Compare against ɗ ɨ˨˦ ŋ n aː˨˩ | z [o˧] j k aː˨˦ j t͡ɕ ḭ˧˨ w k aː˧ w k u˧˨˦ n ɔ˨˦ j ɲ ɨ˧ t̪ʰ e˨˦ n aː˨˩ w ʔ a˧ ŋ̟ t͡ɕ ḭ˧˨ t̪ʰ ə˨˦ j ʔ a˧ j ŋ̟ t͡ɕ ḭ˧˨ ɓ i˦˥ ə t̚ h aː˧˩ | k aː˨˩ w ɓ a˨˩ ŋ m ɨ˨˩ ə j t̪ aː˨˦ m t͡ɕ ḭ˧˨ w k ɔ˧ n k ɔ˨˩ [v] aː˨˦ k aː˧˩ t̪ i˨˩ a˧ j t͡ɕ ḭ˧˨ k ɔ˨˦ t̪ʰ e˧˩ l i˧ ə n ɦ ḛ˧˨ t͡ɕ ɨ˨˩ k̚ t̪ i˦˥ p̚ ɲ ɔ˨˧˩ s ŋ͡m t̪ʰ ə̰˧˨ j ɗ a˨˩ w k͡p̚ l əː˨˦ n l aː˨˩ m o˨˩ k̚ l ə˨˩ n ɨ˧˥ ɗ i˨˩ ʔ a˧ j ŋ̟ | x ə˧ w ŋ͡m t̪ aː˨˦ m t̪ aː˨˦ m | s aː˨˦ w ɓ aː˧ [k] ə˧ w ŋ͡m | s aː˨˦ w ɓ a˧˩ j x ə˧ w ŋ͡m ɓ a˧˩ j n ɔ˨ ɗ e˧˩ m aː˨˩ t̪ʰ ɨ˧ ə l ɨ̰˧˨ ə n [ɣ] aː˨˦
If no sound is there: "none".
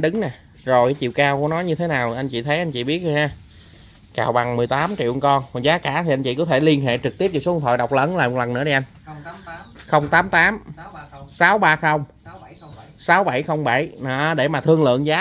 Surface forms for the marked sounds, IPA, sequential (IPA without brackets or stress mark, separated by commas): o˨˩, z, x, z